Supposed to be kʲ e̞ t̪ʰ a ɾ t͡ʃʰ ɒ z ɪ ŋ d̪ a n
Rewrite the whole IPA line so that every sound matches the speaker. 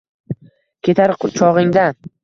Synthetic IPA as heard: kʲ e̞ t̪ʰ a ɾ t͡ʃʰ ɒ ʁ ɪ ŋ d̪ a n